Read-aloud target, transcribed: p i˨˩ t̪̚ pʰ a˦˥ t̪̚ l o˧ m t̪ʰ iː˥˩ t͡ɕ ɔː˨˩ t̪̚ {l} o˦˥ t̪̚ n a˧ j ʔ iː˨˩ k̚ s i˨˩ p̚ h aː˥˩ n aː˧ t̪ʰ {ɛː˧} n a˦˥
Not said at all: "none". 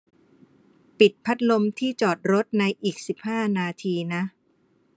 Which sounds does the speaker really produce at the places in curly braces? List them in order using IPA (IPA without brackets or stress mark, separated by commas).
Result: ɾ, iː˧